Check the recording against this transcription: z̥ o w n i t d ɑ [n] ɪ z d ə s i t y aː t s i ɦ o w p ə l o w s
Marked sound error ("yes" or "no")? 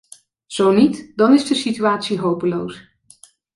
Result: no